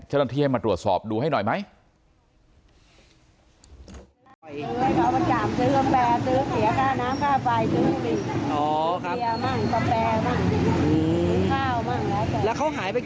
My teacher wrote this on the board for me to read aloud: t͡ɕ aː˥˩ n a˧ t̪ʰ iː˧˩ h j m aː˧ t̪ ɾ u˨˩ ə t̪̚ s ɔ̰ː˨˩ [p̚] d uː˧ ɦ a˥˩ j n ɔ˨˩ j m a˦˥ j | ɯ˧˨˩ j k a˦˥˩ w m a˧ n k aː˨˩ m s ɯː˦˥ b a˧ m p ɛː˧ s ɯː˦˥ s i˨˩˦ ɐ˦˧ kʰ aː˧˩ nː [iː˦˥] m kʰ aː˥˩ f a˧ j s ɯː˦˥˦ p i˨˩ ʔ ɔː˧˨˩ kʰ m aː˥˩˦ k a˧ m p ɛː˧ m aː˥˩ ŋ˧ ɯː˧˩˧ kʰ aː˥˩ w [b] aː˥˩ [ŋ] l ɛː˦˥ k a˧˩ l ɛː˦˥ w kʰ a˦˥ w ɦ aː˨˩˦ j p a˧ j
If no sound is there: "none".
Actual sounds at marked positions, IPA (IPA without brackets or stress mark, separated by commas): p̚, aː˦˥, m, ŋ